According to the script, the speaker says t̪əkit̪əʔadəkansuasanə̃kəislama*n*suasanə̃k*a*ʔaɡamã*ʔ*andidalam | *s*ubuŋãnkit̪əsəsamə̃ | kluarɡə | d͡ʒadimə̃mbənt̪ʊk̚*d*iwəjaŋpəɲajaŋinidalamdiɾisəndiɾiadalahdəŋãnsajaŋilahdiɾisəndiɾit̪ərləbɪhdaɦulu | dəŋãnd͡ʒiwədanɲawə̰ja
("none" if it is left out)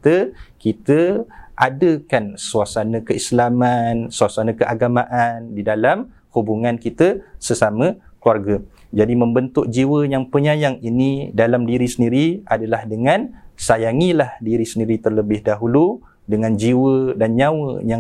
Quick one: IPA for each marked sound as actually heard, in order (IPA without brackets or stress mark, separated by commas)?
n, ə, ʔ, h, d͡ʒ